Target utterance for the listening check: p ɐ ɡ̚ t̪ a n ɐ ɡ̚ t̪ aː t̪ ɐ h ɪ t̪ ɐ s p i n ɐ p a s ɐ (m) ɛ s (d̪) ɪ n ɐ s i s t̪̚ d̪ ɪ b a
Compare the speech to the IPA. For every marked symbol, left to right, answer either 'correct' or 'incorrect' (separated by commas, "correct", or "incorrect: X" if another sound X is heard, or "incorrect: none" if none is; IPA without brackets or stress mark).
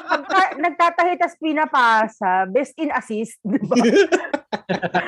incorrect: b, incorrect: t̪